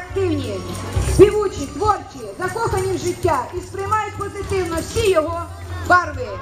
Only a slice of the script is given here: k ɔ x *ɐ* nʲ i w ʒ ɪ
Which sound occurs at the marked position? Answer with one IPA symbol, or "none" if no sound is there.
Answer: ɐ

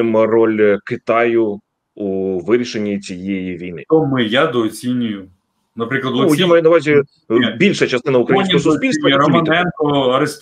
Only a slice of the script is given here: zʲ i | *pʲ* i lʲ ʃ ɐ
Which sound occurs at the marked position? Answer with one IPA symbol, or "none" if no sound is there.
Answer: bʲ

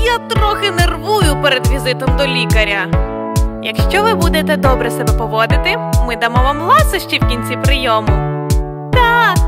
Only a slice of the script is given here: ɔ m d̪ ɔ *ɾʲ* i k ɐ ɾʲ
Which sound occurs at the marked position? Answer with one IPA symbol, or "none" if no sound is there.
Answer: lʲ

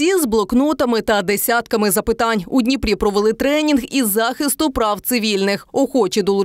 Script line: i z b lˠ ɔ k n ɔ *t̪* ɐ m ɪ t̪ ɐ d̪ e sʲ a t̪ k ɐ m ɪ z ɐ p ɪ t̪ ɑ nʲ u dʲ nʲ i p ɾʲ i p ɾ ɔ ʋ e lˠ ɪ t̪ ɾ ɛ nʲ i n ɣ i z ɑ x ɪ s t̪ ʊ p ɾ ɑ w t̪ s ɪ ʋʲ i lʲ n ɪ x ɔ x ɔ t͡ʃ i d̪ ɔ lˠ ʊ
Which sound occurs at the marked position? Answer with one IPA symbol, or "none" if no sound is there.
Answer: t̪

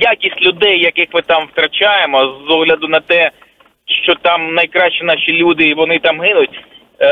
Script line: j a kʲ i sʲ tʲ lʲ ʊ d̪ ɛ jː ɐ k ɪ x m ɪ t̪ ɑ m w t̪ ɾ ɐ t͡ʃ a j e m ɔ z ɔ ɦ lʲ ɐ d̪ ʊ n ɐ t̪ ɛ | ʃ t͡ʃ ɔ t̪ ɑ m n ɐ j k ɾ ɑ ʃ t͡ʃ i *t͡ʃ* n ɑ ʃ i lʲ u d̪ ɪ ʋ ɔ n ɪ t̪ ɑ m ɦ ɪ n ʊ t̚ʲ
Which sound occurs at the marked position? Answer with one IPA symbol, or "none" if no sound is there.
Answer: none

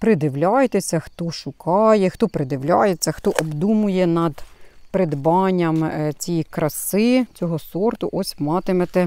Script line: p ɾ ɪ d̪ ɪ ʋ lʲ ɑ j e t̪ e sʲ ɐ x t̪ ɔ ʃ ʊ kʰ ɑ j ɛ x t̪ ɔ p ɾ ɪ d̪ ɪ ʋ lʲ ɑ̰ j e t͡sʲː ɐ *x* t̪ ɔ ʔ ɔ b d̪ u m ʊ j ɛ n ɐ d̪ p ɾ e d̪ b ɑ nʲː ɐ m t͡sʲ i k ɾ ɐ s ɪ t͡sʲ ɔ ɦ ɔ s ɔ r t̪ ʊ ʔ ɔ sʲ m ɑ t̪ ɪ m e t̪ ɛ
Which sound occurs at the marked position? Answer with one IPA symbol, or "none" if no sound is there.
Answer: x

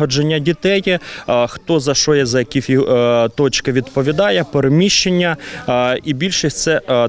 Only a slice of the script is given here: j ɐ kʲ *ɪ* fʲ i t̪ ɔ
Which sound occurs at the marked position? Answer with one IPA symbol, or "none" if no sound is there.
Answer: i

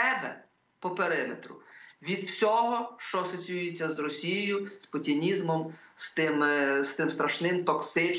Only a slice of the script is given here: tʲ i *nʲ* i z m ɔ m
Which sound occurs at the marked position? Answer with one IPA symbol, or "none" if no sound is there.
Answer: nʲ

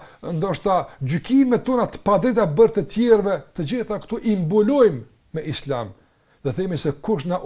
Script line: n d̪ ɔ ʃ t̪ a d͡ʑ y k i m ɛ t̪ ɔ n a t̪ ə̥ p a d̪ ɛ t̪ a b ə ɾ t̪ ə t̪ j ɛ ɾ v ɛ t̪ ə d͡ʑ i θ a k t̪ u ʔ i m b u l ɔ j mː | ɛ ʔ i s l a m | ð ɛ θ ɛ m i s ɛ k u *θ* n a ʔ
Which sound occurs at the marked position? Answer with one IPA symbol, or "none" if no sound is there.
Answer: ʃ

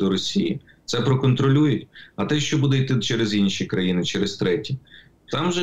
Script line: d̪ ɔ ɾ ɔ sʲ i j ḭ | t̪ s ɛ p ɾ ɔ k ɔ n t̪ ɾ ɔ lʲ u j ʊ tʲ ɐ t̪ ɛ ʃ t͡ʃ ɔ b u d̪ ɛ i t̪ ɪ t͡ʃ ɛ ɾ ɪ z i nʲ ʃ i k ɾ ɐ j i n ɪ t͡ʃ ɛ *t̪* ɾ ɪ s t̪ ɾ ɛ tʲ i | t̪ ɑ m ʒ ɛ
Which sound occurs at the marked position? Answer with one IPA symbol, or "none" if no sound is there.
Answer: none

